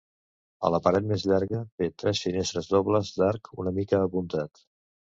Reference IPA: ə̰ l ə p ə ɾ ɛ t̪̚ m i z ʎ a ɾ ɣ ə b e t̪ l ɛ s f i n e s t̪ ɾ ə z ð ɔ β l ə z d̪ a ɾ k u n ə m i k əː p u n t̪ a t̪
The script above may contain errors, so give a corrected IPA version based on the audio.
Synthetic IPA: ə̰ l ə p ə ɾ ɛ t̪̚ m e z ʎ a ɾ ɣ ə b e t̪ ɾ ɛ s f i n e s t̪ ɾ ə z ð ɔ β l ə z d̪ a ɾ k u n ə m i k əː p u n t̪ a t̪

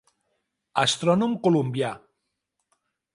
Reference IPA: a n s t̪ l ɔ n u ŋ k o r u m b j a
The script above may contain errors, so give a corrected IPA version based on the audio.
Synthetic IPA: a s t̪ ɾ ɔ n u m k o l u m b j a

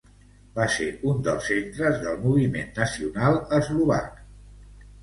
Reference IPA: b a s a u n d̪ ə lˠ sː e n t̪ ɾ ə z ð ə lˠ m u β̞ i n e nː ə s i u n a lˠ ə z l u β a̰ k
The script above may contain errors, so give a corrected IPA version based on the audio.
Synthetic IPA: b a s e u n d̪ ə lˠ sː e n t̪ ɾ ə z ð ə lˠ m u β̞ i m e nː ə s i u n a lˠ ə z l u β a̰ k

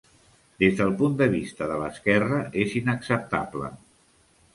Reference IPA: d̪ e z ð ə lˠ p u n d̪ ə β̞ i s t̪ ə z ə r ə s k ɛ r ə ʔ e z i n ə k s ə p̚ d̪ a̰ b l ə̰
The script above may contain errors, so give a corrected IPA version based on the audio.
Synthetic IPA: d̪ e z ð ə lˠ p u n d̪ ə β̞ i s t̪ ə ð ə l ə s k ɛ r ə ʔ e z i n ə k s ə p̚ t̪ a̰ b l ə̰

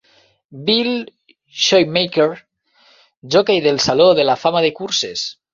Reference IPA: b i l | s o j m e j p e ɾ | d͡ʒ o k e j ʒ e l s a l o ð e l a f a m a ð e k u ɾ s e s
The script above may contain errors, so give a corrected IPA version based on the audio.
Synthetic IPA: b i l | ʃ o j m e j k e ɾ | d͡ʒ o k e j ð e l s a l o ð e l a f a m a ð e k u ɾ s e s

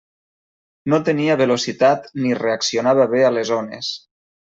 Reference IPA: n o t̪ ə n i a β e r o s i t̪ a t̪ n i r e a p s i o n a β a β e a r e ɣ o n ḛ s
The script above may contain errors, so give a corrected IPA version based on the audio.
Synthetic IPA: n o t̪ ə n i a β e l o s i t̪ a t̪ n i r e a k s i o n a β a β e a l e z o n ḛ s

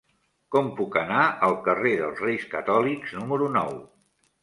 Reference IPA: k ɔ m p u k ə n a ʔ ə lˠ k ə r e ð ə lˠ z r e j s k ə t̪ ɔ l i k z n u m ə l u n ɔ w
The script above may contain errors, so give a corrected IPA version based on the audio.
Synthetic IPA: k ɔ m p u k ə n a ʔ ə lˠ k ə r e ð ə lˠ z r e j s k ə t̪ ɔ l i k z n u m ə ɾ u n ɔ w

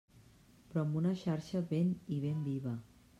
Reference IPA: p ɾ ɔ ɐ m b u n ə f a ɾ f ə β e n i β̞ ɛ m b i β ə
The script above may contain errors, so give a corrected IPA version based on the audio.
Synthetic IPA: p ɾ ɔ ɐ m b u n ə ʃ a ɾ ʃ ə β e n i β̞ e m b i β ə

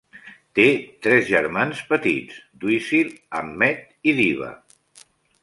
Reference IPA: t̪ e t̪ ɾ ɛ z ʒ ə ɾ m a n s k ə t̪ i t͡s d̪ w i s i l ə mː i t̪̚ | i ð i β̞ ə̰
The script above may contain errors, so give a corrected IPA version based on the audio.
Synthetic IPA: t̪ e t̪ ɾ ɛ z ʒ ə ɾ m a n s p ə t̪ i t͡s d̪ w i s i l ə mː ɛ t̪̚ | i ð i β̞ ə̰

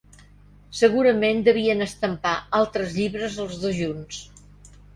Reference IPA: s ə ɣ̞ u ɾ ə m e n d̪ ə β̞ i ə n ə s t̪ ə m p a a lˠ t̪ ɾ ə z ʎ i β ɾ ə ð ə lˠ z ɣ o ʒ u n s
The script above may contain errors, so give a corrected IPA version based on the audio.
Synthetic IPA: s ə ɣ̞ u ɾ ə m e n d̪ ə β̞ i ə n ə s t̪ ə m p a a lˠ t̪ ɾ ə z ʎ i β ɾ ə z ə lˠ z ð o ʒ u n s

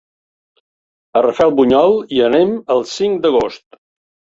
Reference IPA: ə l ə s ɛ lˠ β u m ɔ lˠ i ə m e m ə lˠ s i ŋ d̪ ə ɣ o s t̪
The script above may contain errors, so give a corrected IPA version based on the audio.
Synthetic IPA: ə r ə f ɛ lˠ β u ɲ ɔ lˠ i ə n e m ə lˠ s i ŋ d̪ ə ɣ o s t̪

